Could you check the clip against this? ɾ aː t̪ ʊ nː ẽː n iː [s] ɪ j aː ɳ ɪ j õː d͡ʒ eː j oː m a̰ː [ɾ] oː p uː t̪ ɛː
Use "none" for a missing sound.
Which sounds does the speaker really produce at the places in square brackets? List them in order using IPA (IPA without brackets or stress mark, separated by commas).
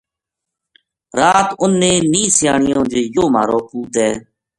s, ɾ